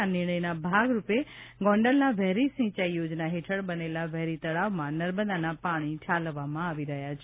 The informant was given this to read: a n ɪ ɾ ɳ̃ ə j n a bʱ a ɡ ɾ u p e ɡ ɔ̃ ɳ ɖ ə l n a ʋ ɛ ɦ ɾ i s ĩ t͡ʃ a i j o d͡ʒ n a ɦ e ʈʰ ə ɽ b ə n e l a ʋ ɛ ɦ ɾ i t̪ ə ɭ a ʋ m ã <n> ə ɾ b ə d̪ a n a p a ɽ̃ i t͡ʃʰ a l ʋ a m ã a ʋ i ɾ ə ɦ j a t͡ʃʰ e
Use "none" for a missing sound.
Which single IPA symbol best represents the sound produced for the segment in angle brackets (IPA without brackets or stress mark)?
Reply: n